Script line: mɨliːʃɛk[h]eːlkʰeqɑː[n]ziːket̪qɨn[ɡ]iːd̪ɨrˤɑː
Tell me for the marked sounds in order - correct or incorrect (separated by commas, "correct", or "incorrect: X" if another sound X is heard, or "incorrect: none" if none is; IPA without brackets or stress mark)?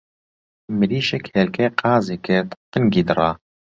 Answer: correct, incorrect: none, correct